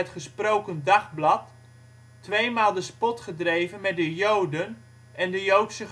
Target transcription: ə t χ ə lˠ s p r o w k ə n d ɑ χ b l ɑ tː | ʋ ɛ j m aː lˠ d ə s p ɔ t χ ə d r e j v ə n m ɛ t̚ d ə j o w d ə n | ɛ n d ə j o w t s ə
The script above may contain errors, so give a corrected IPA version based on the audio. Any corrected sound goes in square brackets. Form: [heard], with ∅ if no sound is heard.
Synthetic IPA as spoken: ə t χ ə [∅] s p r o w k ə n d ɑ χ b l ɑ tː | ʋ [e] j m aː lˠ d ə s p ɔ t χ ə d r e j v ə n m ɛ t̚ d ə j o w d ə n | ɛ n d ə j o w t s ə

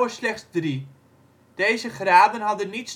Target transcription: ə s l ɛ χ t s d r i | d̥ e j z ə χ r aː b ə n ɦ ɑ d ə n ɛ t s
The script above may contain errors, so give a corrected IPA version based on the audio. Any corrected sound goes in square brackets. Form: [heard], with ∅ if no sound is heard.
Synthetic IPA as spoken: ə s l ɛ χ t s d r i | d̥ e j z ə χ r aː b ə n ɦ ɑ d ə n [i] t s

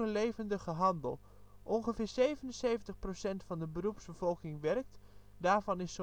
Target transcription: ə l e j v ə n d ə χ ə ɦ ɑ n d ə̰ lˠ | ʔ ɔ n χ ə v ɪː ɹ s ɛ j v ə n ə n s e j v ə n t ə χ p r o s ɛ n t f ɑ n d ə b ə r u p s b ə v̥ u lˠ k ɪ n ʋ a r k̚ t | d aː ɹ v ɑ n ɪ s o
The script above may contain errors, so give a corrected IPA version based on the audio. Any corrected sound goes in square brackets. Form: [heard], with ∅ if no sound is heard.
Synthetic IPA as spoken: ə l e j v ə n d ə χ ə ɦ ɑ n d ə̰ lˠ | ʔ ɔ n χ ə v ɪː ɹ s [e] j v ə n ə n s e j v ə n t ə χ p r o s ɛ n t f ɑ n d ə b ə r u p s b ə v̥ [ɔ] lˠ k ɪ [ŋ] ʋ [ɛ] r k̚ t | d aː ɹ v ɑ n ɪ s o

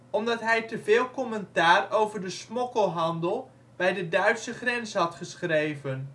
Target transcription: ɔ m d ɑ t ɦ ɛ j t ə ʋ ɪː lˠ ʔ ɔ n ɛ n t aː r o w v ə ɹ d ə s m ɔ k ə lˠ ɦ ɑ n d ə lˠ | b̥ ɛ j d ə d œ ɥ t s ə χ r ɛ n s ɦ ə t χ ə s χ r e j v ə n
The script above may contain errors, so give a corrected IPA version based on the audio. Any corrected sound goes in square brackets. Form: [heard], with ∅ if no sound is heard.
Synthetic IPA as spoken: ɔ m d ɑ t ɦ ɛ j t ə [v] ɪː lˠ [k] ɔ [m] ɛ n t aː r o w v ə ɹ d ə s m ɔ k ə lˠ ɦ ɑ n d ə lˠ | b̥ ɛ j d ə d œ ɥ t s ə χ r ɛ n s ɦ [ɑ] t χ ə s χ r e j v ə n

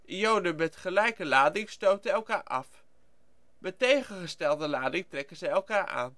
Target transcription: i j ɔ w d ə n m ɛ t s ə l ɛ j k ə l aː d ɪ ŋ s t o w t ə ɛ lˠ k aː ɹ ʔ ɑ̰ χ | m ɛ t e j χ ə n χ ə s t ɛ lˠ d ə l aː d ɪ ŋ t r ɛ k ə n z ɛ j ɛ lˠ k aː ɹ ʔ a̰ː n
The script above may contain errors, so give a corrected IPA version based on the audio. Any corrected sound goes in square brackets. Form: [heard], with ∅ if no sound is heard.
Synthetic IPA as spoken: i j [o] w d ə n m ɛ t [χ] ə l ɛ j k ə l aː d ɪ ŋ s t o w t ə ɛ lˠ k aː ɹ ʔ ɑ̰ [f] | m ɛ t e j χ ə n χ ə s t ɛ lˠ d ə l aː d ɪ ŋ t r ɛ k ə n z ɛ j ɛ lˠ k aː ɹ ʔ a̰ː n

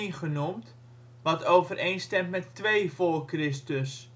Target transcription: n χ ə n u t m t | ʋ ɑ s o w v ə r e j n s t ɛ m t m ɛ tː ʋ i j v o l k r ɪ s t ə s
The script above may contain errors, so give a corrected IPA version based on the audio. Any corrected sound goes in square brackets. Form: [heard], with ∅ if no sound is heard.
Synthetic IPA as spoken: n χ ə n u [∅] m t | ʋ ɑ [t] o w v ə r e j n s t ɛ m t m ɛ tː ʋ [e] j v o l k r ɪ s t ə s

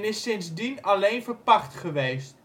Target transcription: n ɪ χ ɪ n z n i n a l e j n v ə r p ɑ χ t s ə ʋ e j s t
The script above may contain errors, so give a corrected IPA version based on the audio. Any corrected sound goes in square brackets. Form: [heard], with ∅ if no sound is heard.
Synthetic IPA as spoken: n ɪ [s] ɪ n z [d] i n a l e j n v ə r p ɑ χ t [χ] ə ʋ e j s t

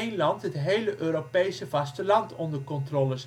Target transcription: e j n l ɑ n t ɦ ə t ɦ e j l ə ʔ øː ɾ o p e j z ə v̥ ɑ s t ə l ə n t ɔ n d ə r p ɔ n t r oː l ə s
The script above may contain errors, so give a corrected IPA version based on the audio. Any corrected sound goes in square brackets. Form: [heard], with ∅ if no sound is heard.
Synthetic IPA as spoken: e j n l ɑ n t ɦ ə t ɦ e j l ə ʔ øː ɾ o p e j [s] ə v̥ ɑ s t ə l [ɑ] n t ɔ n d ə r [k] ɔ n t r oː l ə s

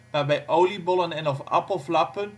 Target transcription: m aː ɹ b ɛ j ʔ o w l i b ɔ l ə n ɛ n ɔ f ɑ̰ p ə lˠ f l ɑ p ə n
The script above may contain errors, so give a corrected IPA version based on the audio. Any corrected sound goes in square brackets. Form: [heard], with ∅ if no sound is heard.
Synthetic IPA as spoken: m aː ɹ b ɛ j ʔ o w l i b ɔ l ə n ɛ n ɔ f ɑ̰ p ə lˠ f l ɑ p ə n

